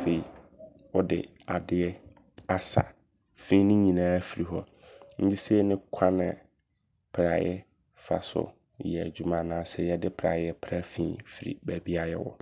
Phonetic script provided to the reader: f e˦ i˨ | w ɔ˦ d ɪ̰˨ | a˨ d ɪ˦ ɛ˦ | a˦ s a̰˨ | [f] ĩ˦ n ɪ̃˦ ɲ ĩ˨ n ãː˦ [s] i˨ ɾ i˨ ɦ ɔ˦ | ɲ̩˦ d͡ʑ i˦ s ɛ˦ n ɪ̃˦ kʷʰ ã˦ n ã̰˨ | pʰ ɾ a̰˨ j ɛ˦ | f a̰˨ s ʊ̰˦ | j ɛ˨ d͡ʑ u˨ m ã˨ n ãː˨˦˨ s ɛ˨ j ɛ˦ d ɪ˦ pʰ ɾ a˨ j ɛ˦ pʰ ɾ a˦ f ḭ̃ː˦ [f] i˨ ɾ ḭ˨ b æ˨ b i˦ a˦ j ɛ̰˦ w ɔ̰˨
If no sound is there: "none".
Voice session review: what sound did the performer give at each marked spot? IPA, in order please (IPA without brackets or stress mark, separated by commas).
f, f, f